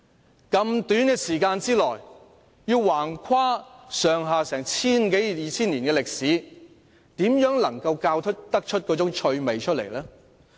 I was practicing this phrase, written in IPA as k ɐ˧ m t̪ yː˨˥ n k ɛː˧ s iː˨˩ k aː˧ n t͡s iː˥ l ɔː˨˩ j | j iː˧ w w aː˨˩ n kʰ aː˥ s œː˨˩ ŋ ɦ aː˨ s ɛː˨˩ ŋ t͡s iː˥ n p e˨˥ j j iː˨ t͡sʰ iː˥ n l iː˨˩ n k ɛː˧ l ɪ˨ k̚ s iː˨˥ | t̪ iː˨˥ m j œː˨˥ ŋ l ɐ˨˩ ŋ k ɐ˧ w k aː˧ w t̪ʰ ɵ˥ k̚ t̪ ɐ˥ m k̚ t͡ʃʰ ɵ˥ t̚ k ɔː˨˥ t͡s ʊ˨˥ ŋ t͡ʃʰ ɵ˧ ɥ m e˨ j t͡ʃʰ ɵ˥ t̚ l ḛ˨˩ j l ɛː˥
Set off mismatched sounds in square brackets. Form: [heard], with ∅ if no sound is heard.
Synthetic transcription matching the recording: k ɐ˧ m t̪ yː˨˥ n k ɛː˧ s iː˨˩ k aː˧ n t͡s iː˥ l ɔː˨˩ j | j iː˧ w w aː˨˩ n kʰ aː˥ s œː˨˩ ŋ ɦ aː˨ s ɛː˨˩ ŋ [t͡sʰ] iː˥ n [k] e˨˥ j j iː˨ t͡sʰ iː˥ n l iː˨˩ n k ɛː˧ l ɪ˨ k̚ s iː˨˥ | t̪ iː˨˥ m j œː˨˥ ŋ l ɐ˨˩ ŋ k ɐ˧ w k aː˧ w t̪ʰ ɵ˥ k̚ t̪ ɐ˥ [∅] k̚ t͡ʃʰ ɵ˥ t̚ k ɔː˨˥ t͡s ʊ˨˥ ŋ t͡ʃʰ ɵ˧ ɥ m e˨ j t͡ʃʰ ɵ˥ t̚ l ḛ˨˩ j l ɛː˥